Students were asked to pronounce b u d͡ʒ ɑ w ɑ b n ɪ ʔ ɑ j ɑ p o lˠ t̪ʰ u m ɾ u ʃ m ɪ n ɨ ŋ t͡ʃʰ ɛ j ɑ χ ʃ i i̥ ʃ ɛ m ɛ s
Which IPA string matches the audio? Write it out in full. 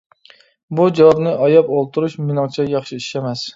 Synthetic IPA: b u d͡ʒ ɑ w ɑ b n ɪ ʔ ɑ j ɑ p o lˠ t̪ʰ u ɾ u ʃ m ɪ n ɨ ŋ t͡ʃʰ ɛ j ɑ χ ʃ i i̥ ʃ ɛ m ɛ s